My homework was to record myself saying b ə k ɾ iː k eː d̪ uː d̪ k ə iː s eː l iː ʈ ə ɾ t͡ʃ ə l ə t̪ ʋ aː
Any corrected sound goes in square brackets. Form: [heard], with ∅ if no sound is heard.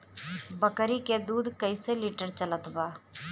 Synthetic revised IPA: b ə k ɾ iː k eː d̪ uː d̪ k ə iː s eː l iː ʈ ə ɾ t͡ʃ ə l ə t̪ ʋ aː